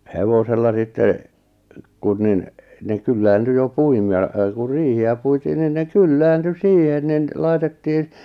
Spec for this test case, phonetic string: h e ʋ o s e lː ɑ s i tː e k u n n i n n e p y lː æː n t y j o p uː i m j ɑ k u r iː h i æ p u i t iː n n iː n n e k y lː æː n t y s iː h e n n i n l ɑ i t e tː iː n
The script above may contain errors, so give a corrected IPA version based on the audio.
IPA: h e ʋ o s e lː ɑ s i tː e k u n n i n n e k y lː æː n t y j o p u i m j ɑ k u r iː h i æ p u i t iː n n i n n e k y lː æː n t y s iː h e n n i n l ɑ i t e tː iː n

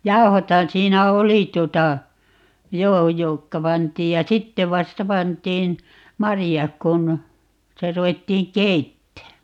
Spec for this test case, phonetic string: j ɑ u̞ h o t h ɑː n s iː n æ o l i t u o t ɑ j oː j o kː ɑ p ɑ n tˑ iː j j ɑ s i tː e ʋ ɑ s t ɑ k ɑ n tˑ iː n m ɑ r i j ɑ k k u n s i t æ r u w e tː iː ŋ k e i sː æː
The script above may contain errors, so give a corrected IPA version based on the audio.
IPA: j ɑ u̞ h o t h ɑ n s iː n æ o l i t u o t ɑ j oː j o kː ɑ p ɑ n tˑ iː j j ɑ s i tː e ʋ ɑ s t ɑ p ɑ n tˑ iː n m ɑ r i j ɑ k k u n s i t æ r u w e tː iː ŋ k e i tː æː

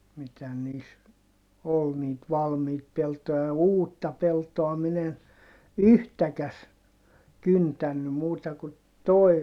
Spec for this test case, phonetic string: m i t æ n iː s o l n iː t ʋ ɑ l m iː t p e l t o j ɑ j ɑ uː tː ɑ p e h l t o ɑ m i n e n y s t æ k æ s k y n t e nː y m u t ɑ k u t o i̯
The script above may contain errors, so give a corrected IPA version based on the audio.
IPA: m i t æ n iː s o l n iː t ʋ ɑ l m iː t p e l t o j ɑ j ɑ uː tː ɑ p e l t o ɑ m i n e n y h t æ k æ s k y n t æ nː y m uː t ɑ k u t o i̯

